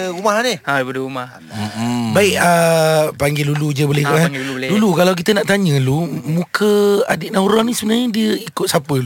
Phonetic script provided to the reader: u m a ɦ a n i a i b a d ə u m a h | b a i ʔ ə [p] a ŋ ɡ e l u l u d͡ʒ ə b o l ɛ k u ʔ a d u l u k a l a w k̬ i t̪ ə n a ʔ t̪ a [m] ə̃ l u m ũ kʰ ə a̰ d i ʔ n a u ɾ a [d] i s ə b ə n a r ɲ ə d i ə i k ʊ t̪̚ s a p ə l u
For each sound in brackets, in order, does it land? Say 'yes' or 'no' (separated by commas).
yes, no, no